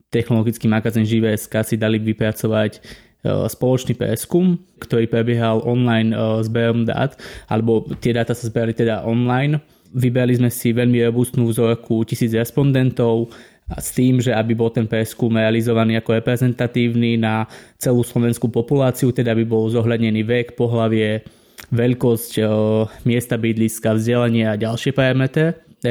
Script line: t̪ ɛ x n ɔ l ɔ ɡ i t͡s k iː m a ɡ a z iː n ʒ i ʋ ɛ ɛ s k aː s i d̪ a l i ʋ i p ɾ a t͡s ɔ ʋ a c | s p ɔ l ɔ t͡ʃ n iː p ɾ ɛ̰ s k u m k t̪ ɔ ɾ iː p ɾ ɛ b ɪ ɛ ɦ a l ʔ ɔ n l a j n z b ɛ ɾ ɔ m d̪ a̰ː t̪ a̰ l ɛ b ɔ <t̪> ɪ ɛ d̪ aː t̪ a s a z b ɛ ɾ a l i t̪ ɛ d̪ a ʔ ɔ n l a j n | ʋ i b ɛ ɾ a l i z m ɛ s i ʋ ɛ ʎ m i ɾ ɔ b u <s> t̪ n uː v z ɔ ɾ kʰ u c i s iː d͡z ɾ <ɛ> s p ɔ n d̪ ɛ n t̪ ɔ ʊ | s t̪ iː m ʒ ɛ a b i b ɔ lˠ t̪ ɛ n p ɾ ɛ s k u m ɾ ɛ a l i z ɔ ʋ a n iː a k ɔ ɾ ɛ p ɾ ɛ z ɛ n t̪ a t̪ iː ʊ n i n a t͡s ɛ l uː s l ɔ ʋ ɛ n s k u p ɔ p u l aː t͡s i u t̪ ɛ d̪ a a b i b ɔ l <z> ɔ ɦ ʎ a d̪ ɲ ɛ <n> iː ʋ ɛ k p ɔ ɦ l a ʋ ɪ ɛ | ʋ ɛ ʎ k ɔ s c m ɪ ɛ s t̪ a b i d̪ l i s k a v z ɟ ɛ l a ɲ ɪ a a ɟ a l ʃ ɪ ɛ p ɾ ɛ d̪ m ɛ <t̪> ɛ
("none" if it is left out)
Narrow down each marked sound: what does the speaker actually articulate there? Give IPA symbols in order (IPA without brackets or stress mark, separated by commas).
t̪, s, ɛ, z, n, t̪